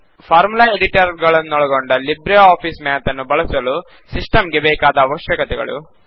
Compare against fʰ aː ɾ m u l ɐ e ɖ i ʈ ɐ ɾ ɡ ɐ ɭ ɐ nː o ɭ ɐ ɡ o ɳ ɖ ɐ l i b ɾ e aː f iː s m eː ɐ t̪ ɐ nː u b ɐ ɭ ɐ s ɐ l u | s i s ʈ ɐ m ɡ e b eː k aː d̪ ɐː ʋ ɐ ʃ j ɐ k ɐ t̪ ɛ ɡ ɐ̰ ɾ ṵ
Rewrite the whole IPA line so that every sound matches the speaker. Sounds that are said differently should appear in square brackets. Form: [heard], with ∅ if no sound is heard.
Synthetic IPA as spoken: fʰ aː ɾ m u l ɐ e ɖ i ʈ ɐ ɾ ɡ ɐ ɭ ɐ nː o ɭ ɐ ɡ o ɳ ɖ ɐ l i b ɾ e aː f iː s m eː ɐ t̪ ɐ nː u b ɐ ɭ ɐ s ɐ l u | s i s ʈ ɐ m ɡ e b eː k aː d̪ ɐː ʋ ɐ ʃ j ɐ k ɐ t̪ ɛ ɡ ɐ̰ [ɭ] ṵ